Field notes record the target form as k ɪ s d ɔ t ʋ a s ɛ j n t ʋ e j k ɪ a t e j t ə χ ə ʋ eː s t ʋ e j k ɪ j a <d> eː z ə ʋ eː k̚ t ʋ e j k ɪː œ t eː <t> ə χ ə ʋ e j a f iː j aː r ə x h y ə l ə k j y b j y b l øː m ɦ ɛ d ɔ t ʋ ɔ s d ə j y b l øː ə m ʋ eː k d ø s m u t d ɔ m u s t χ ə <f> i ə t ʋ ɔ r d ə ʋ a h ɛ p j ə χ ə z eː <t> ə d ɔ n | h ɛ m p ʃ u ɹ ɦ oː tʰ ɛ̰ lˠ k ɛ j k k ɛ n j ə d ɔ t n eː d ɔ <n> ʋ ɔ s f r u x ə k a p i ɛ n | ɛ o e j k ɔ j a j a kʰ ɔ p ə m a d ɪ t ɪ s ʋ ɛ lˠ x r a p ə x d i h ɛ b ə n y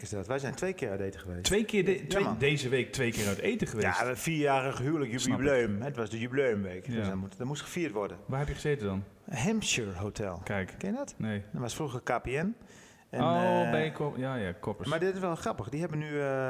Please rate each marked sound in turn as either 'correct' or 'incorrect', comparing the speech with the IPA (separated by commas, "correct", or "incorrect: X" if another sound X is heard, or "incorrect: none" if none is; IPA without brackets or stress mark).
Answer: correct, correct, correct, correct, correct